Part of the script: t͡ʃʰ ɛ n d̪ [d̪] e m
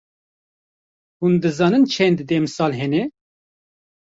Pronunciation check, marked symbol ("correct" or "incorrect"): correct